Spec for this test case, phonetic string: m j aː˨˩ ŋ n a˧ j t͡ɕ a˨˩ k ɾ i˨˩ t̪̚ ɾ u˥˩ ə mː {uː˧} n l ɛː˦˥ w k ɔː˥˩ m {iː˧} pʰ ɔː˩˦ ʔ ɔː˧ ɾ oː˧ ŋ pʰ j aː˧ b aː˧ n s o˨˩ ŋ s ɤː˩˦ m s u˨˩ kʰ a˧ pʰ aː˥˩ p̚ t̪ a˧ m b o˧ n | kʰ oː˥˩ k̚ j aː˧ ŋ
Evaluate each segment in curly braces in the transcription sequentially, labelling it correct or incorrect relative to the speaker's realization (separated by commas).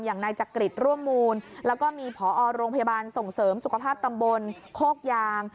correct, correct